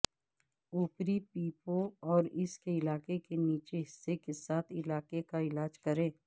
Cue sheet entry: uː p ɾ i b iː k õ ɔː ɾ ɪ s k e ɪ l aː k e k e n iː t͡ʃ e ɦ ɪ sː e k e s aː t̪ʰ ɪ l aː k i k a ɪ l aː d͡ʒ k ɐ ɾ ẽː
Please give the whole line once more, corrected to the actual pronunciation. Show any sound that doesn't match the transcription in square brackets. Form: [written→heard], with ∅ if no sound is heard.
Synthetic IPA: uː p ɾ i [b→p] iː [k→p] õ ɔː ɾ ɪ s k e ɪ l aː k e k e n iː t͡ʃ e ɦ ɪ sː e k e s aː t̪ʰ ɪ l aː k [i→e] k a ɪ l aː d͡ʒ k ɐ ɾ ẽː